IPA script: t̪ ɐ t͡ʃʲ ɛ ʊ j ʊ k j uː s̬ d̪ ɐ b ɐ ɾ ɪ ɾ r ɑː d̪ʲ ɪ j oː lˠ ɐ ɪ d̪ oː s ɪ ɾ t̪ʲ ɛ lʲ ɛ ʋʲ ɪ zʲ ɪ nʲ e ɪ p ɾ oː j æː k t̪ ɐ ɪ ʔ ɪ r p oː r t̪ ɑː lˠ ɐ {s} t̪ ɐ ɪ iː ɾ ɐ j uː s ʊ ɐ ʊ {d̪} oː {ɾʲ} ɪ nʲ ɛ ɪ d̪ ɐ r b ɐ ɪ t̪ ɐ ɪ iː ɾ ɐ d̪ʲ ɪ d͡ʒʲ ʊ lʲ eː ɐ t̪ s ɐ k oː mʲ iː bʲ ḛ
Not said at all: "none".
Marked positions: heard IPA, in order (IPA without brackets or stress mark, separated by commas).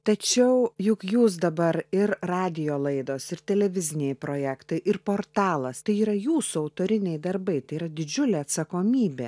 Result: s, t̪, ɾʲ